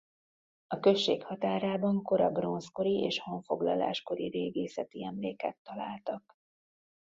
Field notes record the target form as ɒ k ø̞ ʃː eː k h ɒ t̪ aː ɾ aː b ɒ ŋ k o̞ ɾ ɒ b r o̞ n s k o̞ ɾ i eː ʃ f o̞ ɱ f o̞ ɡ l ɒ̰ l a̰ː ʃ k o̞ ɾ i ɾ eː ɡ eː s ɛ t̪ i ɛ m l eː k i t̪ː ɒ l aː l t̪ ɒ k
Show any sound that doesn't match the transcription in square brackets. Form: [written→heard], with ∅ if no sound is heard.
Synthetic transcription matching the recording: ɒ k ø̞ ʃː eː k h ɒ t̪ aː ɾ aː b ɒ ŋ k o̞ ɾ ɒ b r o̞ n s k o̞ ɾ i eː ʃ [f→h] o̞ ɱ f o̞ ɡ l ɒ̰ l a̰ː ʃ k o̞ ɾ i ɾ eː ɡ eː s ɛ t̪ i ɛ m l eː k [i→ɛ] t̪ː ɒ l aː l t̪ ɒ k